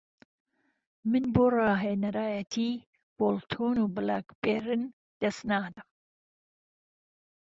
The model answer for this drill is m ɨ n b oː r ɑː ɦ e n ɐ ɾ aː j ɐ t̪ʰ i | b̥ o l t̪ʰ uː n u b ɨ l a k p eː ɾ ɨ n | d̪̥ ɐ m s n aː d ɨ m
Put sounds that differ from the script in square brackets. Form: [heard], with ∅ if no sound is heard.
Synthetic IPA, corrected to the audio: m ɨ n b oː r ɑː ɦ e n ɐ ɾ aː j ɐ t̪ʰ i | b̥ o l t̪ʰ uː n u b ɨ l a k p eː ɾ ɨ n | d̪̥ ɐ [∅] s n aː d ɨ m

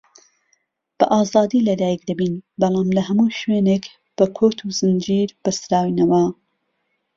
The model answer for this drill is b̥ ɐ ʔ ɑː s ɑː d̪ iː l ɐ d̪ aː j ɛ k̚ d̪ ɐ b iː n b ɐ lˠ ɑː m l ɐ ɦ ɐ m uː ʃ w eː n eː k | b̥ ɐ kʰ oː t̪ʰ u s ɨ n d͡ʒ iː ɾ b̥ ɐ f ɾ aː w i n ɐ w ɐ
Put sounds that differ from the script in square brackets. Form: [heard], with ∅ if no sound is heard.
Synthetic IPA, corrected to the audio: b̥ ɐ ʔ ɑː [z] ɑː d̪ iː l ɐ d̪ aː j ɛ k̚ d̪ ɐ b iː n b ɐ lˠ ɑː m l ɐ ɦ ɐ m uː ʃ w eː n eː k | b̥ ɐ kʰ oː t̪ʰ u [z] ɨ n d͡ʒ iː ɾ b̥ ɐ [s] ɾ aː w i n ɐ w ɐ

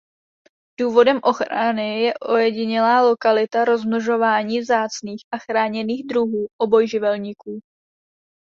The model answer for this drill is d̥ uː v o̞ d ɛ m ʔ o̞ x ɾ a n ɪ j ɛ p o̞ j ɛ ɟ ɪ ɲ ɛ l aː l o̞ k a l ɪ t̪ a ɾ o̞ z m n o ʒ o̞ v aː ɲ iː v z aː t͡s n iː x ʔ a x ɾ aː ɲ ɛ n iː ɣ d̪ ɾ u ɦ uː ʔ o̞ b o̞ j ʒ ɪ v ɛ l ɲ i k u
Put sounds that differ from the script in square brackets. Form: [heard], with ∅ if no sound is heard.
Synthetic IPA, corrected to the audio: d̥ uː v o̞ d ɛ m ʔ o̞ x ɾ a n ɪ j ɛ [ʔ] o̞ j ɛ ɟ ɪ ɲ ɛ l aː l o̞ k a l ɪ t̪ a ɾ o̞ z m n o ʒ o̞ v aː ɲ iː v z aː t͡s n iː x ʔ a x ɾ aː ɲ ɛ n iː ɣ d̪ ɾ u ɦ uː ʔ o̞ b o̞ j ʒ ɪ v ɛ l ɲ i k [uː]

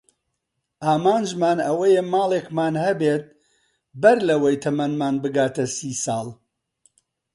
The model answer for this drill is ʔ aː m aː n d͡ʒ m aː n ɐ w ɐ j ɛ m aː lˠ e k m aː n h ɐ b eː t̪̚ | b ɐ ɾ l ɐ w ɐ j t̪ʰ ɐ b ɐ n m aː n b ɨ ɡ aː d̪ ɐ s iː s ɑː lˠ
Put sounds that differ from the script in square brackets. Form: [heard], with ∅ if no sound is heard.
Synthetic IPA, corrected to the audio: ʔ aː m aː n d͡ʒ m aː n ɐ w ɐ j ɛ m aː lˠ e k m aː n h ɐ b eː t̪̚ | b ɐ ɾ l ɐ w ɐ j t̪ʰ ɐ [m] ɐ n m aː n b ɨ ɡ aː [t̪] ɐ s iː s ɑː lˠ

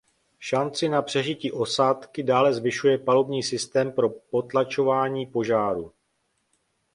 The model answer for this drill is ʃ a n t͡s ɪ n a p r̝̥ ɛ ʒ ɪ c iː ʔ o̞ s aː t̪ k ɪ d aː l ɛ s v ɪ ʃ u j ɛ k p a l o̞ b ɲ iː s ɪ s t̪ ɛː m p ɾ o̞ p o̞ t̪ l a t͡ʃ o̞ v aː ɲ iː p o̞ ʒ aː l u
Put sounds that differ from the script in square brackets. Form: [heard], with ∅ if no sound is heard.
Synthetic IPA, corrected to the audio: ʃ a n t͡s ɪ n a p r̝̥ ɛ ʒ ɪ c iː ʔ o̞ s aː t̪ k ɪ d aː l ɛ [z] v ɪ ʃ u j ɛ [∅] p a l o̞ b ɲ iː s ɪ s t̪ ɛː m p ɾ o̞ p o̞ t̪ l a t͡ʃ o̞ v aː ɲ iː p o̞ ʒ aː [ɾ] u

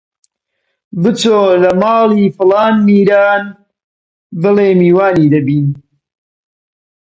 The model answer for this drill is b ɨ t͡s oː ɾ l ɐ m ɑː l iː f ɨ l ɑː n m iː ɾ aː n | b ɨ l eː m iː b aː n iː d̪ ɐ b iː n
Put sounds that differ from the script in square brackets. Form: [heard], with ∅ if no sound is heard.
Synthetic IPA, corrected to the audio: b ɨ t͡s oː [∅] l ɐ m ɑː l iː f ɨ l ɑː n m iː ɾ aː n | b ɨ l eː m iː [w] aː n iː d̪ ɐ b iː n

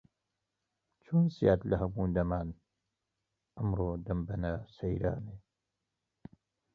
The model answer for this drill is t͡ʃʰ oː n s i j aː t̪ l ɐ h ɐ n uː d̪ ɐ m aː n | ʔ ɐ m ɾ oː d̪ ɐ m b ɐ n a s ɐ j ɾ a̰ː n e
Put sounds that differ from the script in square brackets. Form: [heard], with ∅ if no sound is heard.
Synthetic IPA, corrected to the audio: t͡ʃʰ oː n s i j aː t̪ l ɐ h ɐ [m] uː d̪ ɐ m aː n | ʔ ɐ m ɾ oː d̪ ɐ m b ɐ n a s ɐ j ɾ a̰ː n e

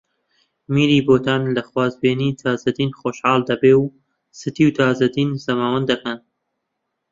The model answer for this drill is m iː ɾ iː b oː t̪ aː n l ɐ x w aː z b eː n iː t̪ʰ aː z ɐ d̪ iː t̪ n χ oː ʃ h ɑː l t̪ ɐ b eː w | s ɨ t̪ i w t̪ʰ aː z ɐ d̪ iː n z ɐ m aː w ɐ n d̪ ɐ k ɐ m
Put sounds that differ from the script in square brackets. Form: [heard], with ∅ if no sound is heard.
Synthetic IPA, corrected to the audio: m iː ɾ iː b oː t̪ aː n l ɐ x w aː z b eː n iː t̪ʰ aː z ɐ d̪ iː [∅] n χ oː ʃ h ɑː l [d̪] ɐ b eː w | s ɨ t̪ i w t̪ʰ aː z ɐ d̪ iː n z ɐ m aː w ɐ n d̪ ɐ k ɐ [n]

